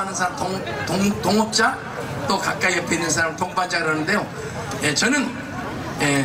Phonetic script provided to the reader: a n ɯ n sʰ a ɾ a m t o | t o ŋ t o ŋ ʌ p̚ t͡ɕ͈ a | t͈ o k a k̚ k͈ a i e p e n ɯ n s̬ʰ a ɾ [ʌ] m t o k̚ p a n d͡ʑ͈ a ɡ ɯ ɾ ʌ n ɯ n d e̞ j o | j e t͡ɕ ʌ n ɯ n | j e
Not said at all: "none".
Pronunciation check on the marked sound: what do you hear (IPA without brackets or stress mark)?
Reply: a